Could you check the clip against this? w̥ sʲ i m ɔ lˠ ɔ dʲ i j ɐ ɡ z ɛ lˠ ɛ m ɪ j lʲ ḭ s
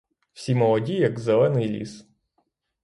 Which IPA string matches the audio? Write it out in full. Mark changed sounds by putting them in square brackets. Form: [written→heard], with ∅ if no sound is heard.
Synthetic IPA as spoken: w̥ sʲ i m ɔ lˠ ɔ dʲ i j ɐ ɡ z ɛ lˠ ɛ [m→n] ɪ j lʲ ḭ s